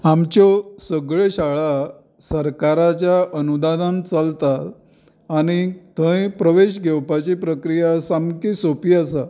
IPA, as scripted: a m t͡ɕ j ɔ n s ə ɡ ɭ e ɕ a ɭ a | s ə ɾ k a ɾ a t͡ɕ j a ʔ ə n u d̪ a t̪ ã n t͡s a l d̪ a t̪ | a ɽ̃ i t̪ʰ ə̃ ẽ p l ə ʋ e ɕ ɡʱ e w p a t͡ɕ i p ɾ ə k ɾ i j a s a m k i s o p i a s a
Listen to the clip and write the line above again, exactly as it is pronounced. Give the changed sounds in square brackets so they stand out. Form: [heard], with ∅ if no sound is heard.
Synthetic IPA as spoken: a m t͡ɕ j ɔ [∅] s ə ɡ ɭ e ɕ a ɭ a | s ə ɾ k a ɾ a t͡ɕ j a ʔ ə n u d̪ a [d̪] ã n t͡s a l [t̪] a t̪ | a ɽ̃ i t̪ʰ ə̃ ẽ p [ɾ] ə ʋ e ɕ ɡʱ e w p a t͡ɕ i p ɾ ə k ɾ i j a s a m k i s o p i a s a